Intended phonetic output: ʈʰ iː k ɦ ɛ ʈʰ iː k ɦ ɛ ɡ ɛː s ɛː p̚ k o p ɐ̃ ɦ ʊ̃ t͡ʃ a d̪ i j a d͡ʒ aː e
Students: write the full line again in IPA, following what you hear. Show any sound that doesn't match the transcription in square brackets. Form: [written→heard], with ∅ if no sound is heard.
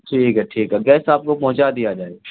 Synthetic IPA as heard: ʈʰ iː k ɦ ɛ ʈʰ iː k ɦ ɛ ɡ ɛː s [ɛː→aː] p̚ k o p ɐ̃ ɦ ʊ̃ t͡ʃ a d̪ i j a d͡ʒ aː e